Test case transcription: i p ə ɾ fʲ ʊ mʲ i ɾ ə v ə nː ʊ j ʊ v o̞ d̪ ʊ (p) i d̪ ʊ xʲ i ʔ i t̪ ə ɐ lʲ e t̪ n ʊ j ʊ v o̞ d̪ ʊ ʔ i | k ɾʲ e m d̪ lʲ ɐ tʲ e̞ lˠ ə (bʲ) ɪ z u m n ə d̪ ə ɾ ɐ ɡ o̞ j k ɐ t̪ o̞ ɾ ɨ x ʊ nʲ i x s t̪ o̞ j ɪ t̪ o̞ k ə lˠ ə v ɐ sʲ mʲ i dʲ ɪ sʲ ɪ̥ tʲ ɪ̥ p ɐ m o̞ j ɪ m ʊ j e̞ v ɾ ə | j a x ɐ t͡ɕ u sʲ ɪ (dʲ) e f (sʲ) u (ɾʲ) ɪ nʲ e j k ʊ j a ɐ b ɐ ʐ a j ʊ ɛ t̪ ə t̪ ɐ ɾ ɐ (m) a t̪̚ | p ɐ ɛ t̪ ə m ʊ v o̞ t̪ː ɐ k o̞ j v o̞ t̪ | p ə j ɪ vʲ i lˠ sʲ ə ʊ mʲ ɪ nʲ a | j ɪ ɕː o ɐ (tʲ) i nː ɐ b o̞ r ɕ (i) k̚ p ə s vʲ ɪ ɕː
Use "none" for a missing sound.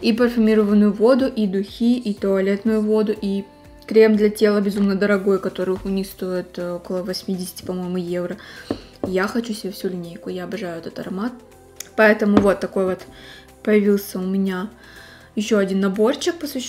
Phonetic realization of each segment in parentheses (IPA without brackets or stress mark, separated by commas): ʔ, bʲ, bʲ, sʲ, lʲ, m, dʲ, ɪ